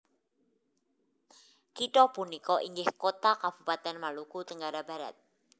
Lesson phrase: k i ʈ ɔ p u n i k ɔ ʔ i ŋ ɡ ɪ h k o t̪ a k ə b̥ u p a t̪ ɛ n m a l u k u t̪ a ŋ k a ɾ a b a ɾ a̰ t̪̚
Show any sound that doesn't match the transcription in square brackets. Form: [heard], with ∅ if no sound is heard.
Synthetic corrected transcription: k i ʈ ɔ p u n i k ɔ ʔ i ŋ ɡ ɪ h k o t̪ a k [a] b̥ u p a t̪ ɛ n m a l u k u t̪ [ə] ŋ [ɡ] a ɾ a b a ɾ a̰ t̪̚